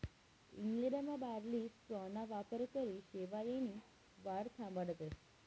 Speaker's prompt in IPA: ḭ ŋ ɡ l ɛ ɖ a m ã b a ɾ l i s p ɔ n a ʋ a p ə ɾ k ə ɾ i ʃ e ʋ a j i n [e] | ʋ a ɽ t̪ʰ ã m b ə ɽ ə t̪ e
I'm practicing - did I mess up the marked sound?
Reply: yes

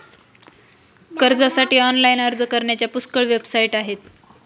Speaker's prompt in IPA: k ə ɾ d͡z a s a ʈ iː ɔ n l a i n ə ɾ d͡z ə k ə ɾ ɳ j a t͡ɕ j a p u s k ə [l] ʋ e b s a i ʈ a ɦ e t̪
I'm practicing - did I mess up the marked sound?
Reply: yes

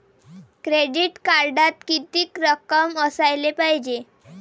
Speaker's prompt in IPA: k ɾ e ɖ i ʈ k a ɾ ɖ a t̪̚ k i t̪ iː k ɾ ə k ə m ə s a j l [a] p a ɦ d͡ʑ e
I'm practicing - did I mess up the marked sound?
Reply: yes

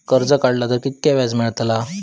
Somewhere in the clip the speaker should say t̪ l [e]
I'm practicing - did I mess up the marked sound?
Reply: yes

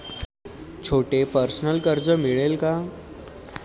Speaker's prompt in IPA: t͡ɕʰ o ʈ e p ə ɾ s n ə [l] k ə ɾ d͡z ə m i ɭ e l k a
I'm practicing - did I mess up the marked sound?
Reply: no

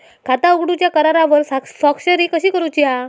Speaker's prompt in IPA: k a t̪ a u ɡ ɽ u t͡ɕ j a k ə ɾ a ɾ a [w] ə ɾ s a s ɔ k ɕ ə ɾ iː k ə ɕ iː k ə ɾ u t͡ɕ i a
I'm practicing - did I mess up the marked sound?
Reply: yes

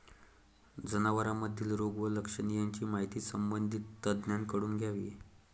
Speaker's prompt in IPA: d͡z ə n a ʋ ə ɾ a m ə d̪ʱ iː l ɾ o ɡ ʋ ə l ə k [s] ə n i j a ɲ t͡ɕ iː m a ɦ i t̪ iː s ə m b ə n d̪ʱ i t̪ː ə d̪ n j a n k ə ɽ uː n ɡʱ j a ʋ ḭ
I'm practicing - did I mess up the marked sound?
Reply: yes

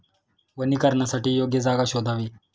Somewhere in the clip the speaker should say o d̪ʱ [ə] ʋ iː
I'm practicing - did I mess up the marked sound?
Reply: yes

